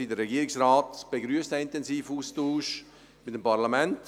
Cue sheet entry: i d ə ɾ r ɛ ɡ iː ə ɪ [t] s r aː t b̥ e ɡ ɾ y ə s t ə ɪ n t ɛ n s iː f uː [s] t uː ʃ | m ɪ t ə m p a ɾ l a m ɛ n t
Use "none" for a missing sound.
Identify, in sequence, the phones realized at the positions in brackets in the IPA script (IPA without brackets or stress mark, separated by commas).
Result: k, s